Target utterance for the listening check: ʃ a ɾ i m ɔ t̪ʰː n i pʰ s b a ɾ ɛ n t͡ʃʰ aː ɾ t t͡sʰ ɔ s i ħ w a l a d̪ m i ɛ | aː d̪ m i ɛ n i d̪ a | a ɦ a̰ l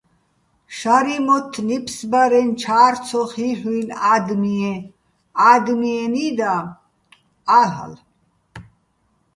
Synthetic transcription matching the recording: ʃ a ɾ i m ɔ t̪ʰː n i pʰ s b a ɾ ɛ n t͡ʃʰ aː ɾ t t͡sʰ ɔ χ i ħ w i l a d̪ m i ɛ | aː d̪ m i ɛ n i d̪ a | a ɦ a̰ l

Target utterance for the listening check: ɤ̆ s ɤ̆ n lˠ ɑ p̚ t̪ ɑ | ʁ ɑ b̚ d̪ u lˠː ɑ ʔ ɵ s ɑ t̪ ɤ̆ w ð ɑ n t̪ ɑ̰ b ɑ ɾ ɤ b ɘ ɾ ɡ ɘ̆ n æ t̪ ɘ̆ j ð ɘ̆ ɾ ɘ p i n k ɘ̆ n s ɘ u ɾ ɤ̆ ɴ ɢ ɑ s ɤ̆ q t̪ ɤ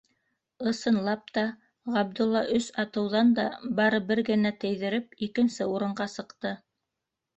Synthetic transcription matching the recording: ɤ̆ s ɤ̆ n lˠ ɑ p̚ t̪ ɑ | ʁ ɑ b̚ d̪ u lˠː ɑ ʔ ɵ s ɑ t̪ ɤ̆ w ð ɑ n d̪ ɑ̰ b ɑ ɾ ɤ b ɘ ɾ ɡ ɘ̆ n æ t̪ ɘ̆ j ð ɘ̆ ɾ ɘ p i k ɘ̆ n s ɘ u ɾ ɤ̆ ɴ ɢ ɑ s ɤ̆ q t̪ ɤ

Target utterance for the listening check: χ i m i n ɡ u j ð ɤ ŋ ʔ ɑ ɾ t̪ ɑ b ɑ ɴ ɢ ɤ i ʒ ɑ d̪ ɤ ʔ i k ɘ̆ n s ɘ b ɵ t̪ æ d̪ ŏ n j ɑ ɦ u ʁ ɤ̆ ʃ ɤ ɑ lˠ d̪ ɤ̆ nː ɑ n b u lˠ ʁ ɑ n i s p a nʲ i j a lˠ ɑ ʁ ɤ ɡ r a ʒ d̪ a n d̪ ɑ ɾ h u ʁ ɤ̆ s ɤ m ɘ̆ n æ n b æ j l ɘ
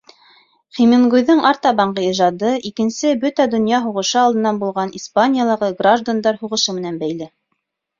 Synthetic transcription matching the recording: χ i m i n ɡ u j ð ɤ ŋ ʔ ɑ ɾ t̪ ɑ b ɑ ɴ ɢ ɤ i ʒ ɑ d̪ ɤ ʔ i k ɘ̆ n s ɘ b ɵ t̪ æ d̪ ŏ n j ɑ ɦ u ʁ ɤ̆ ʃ ɤ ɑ lˠ d̪ ɤ̆ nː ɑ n b u lˠ ʁ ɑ n i s p a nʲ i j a lˠ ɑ ʁ ɤ ɡ r a ʒ d̪ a n d̪ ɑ ɾ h u ʁ ɤ̆ ʃ ɤ m ɘ̆ n æ n b æ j l ɘ

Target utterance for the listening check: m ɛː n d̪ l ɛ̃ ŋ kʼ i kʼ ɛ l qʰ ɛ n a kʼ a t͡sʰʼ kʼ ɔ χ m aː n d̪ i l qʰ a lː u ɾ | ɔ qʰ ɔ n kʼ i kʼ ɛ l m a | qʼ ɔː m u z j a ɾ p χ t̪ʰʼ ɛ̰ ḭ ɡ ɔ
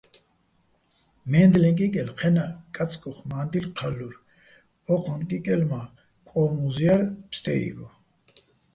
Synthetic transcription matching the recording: m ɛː n d̪ l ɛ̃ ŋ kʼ i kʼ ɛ l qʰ ɛ n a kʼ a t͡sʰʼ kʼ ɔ χ m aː n d̪ i l qʰ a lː u ɾ | ɔ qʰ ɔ n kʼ i kʼ ɛ l m a | kʼ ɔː m u z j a ɾ p s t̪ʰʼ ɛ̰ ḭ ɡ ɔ

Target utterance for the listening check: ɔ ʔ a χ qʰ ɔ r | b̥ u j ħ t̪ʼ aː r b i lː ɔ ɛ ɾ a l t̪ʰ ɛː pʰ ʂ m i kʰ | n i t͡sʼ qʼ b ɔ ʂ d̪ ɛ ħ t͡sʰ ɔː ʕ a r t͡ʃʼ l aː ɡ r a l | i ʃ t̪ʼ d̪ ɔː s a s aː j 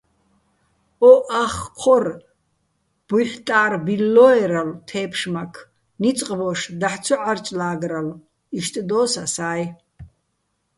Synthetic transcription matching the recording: ɔ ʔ a χ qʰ ɔ r | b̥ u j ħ t̪ʼ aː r b i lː ɔ ɛ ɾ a l t̪ʰ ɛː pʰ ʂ m a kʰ | n i t͡sʼ qʼ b ɔ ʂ d̪ a ħ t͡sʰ ɔ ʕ a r t͡ʃʼ l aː ɡ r a l | i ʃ t̪ʼ d̪ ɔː s a s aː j

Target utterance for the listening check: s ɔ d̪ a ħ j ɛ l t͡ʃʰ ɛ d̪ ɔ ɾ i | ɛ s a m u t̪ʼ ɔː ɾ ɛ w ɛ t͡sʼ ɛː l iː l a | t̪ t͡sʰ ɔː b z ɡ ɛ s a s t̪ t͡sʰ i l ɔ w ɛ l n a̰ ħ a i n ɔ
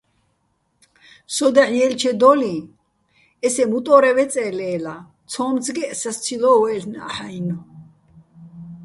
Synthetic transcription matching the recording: s ɔ d̪ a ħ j ɛ l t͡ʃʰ ɛ d̪ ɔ l i | ɛ s ɛ m u t̪ʼ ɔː ɾ ɛ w ɛ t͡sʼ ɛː l ɛː l a | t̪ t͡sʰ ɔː m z ɡ ɛ s a s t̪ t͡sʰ i l ɔ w ɛ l n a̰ ħ a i n ɔ

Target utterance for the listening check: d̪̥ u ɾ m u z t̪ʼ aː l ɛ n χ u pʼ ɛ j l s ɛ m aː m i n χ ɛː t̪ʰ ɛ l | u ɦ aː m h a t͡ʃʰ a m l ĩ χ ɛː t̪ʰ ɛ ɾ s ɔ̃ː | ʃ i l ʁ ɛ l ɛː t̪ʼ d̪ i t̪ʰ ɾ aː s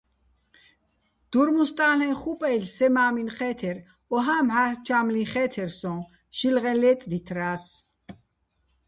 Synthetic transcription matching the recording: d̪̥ u ɾ m u s t̪ʼ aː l ɛ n χ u pʼ ɛ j l s ɛ m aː m i n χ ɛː t̪ʰ ɛ ɾ | ɔ ɦ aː m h a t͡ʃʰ a m l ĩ χ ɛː t̪ʰ ɛ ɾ s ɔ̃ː | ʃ i l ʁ ɛ l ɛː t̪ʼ d̪ i t̪ʰ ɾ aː s

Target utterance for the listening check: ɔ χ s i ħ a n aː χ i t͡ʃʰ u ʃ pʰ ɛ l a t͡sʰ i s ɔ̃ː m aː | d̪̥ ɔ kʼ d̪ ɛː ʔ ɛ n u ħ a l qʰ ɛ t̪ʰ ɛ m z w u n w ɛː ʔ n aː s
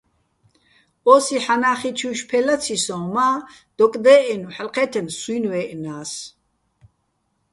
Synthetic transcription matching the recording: ɔ s i ħ a n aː χ i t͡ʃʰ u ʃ pʰ ɛ l a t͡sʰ i s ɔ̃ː m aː | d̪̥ ɔ kʼ d̪ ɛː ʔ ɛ n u ħ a l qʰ ɛ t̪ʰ ɛ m s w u n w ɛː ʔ n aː s

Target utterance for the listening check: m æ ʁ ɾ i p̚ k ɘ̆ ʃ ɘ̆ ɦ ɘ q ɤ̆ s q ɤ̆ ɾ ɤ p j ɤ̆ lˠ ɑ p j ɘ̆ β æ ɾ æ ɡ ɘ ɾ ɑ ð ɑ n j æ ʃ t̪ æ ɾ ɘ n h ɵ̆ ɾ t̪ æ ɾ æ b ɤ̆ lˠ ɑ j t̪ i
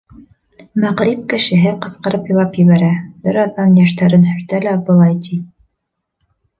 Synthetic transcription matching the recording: m æ ʁ ɾ i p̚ k ɘ̆ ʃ ɘ̆ ɦ ɘ q ɤ̆ s q ɤ̆ ɾ ɤ p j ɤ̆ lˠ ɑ p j ɘ̆ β æ ɾ æ b ɘ ɾ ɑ ð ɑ n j æ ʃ t̪ æ ɾ ɘ n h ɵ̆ ɾ t̪ æ l æ b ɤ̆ lˠ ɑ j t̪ i

